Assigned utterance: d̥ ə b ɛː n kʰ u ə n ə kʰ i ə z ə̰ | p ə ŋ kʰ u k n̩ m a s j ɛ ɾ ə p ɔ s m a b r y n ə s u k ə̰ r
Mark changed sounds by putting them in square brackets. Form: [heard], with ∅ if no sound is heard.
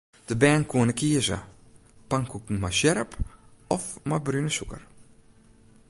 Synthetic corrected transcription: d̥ ə b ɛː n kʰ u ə n ə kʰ i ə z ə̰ | p [a] ŋ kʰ u k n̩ m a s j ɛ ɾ ə p ɔ [f] m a b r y n ə s u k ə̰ r